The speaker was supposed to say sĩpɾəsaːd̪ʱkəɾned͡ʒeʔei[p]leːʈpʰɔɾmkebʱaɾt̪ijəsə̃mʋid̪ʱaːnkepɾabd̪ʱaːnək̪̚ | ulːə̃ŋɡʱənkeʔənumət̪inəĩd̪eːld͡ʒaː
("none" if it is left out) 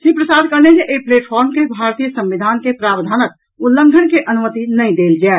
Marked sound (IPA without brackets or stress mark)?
p